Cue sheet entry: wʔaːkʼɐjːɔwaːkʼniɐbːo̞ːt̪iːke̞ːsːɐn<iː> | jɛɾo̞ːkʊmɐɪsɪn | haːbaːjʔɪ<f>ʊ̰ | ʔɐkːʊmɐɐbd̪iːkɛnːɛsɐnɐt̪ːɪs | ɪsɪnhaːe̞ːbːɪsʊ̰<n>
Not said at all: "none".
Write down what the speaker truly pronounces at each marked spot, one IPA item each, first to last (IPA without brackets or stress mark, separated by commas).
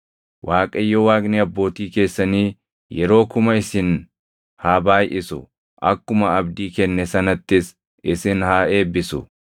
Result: iː, s, none